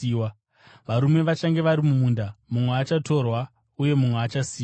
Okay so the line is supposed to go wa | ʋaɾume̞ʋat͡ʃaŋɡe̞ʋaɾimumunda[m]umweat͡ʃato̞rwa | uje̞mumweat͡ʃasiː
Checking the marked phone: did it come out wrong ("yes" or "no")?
no